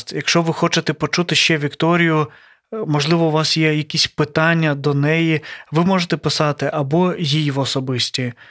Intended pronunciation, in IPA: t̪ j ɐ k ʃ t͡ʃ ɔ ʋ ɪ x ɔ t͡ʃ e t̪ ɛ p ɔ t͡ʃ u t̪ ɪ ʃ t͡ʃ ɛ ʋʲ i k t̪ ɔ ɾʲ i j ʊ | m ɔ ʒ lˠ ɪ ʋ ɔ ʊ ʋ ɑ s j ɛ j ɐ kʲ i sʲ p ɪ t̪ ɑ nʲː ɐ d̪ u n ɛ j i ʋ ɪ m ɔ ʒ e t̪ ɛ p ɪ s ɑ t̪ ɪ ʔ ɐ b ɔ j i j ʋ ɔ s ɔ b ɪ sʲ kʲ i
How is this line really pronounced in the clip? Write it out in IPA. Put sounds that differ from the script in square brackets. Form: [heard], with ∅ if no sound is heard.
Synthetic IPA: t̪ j ɐ k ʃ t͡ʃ ɔ ʋ ɪ x ɔ t͡ʃ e t̪ ɛ p ɔ t͡ʃ u t̪ ɪ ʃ t͡ʃ ɛ ʋʲ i k t̪ ɔ ɾʲ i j ʊ | m ɔ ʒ lˠ ɪ ʋ ɔ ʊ ʋ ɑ s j ɛ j ɐ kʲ i sʲ p ɪ t̪ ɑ nʲː ɐ d̪ [ɔ] n ɛ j i ʋ ɪ m ɔ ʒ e t̪ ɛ p ɪ s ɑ t̪ ɪ ʔ ɐ b ɔ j i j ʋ ɔ s ɔ b ɪ sʲ [tʲ] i